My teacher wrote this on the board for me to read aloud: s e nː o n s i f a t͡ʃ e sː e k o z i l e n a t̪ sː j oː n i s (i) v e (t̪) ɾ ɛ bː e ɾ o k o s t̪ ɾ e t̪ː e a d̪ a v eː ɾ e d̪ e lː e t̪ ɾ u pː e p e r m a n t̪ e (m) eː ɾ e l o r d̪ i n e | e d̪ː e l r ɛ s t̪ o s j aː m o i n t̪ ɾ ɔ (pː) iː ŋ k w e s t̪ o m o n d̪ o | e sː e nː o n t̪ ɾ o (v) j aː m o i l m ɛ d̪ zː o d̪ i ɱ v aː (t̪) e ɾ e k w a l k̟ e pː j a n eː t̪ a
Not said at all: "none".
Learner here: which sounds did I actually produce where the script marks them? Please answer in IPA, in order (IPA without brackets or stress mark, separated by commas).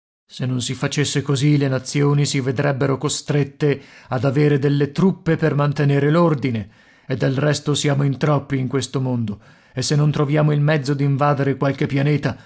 i, d̪, n, pː, v, d̪